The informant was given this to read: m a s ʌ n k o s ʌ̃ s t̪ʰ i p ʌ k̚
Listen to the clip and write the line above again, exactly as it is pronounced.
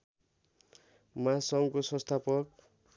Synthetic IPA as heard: m a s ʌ ŋ k o s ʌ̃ s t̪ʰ a p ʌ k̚